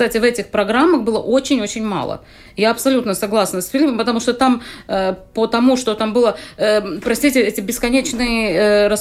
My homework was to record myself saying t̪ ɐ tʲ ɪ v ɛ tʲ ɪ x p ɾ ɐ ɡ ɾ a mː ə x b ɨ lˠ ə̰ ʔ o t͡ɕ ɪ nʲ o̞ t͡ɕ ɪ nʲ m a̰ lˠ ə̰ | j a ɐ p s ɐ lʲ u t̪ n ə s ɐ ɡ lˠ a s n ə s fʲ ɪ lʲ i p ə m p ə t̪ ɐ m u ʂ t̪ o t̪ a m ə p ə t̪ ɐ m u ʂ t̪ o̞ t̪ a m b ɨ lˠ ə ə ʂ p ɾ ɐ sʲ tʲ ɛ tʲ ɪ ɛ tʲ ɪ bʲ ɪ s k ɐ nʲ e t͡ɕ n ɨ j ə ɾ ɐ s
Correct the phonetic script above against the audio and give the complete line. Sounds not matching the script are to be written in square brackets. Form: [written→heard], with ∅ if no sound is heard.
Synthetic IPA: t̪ [ɐ→a] tʲ ɪ v ɛ tʲ ɪ x p ɾ ɐ ɡ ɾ a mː ə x b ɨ lˠ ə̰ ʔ o t͡ɕ ɪ nʲ o̞ t͡ɕ ɪ nʲ m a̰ lˠ ə̰ | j a ɐ p s ɐ lʲ u t̪ n ə s ɐ ɡ lˠ a s n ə s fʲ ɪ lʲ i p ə m p ə t̪ ɐ m u ʂ t̪ o t̪ a m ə p ə t̪ ɐ m u ʂ t̪ o̞ t̪ a m b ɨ lˠ ə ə [ʂ→∅] p ɾ ɐ sʲ tʲ [ɛ→i] tʲ ɪ ɛ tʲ ɪ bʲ ɪ s k ɐ nʲ e t͡ɕ n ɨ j ə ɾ ɐ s